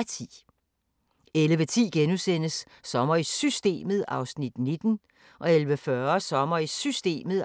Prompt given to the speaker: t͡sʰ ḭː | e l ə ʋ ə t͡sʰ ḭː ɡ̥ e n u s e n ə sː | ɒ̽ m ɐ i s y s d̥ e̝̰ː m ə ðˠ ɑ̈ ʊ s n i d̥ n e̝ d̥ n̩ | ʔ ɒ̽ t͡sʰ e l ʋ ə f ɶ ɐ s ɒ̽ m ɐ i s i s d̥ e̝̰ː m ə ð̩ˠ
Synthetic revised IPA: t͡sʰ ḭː | e l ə ʋ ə t͡sʰ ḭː ɡ̥ e n u s e n ə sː | ɒ̽ m ɐ i s y s d̥ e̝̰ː m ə ðˠ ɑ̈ ʊ s n i d̥ n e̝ d̥ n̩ | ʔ ɒ̽ e l ʋ ə f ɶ ɐ s ɒ̽ m ɐ i s y s d̥ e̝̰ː m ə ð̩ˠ